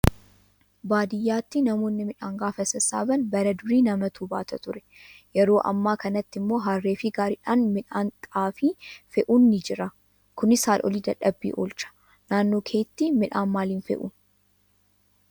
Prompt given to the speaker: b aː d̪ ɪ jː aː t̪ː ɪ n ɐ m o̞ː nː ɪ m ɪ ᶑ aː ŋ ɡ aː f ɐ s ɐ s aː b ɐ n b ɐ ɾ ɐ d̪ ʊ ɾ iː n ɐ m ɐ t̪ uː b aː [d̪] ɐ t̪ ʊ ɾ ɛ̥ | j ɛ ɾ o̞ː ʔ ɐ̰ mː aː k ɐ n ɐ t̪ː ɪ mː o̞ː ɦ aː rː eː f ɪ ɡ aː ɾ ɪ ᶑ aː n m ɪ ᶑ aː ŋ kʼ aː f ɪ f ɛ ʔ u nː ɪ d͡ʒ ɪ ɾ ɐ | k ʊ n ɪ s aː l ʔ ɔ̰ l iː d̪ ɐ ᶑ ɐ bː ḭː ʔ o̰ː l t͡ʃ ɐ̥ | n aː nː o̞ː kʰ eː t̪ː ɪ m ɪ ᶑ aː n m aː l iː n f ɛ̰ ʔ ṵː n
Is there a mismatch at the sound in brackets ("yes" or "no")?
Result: yes